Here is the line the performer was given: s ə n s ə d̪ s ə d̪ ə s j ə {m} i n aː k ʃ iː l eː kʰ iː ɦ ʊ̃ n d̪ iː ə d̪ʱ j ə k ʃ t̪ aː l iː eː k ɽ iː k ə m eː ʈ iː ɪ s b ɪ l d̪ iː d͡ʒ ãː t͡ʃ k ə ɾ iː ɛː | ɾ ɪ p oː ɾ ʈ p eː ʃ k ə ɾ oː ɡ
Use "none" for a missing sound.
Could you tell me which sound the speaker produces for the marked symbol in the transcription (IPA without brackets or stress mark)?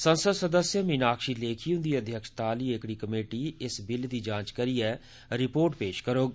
m